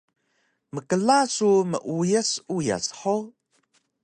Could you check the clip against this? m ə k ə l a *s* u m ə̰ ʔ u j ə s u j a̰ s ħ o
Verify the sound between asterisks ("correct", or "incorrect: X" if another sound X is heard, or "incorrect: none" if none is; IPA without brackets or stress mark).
correct